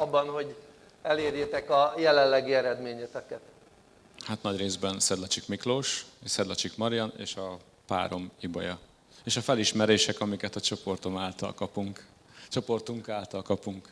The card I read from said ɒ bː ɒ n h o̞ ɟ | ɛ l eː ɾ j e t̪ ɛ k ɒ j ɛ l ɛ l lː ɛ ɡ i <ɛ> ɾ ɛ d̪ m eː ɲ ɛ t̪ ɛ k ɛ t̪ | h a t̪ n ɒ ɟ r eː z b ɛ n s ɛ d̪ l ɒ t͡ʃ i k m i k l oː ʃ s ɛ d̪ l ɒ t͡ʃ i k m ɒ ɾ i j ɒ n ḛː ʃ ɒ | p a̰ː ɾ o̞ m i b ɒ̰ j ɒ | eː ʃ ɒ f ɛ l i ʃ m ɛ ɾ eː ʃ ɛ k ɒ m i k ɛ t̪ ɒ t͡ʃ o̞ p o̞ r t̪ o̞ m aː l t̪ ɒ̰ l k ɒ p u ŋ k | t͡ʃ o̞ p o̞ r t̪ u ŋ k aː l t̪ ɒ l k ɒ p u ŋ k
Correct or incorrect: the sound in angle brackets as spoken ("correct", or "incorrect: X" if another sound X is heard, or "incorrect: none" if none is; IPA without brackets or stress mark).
correct